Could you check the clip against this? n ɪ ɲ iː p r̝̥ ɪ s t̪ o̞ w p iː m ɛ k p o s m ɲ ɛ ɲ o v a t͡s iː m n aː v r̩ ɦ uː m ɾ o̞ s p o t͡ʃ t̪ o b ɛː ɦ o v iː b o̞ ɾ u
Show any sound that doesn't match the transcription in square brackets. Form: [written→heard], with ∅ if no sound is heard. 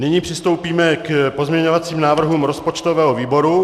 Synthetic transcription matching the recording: n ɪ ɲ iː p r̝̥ ɪ s t̪ o̞ w p iː m ɛ k p o [s→z] m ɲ ɛ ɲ o v a t͡s iː m n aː v r̩ ɦ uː m ɾ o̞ s p o t͡ʃ t̪ o [b→v] ɛː ɦ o v iː b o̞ ɾ u